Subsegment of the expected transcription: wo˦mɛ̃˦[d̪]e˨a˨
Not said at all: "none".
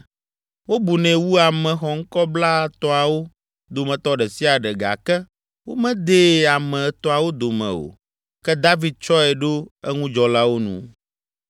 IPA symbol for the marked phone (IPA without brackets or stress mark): d̪